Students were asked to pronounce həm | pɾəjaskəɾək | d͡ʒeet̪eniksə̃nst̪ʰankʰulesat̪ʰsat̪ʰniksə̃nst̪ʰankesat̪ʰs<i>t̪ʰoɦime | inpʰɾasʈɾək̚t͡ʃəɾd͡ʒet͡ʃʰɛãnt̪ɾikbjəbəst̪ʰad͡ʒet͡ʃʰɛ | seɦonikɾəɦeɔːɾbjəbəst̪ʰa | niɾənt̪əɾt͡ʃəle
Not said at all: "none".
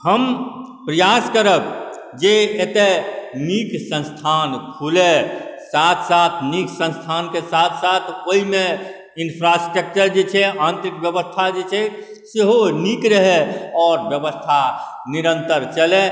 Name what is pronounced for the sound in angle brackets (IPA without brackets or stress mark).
a